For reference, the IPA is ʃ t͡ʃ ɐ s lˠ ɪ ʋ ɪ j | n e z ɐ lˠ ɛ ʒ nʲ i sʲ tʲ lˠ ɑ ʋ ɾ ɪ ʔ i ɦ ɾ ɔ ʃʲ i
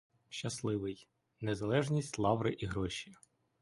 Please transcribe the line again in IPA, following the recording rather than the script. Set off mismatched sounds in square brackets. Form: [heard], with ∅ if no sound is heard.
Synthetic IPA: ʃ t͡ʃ ɐ s lˠ ɪ ʋ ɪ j | n e z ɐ lˠ ɛ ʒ nʲ i sʲ tʲ lˠ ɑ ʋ ɾ ɪ ʔ i ɦ ɾ ɔ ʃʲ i

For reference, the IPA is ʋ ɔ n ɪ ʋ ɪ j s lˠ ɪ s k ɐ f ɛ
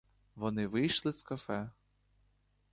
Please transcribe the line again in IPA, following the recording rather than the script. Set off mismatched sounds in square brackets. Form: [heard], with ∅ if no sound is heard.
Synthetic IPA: ʋ ɔ n ɪ ʋ ɪ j [ʃ] lˠ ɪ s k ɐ f ɛ

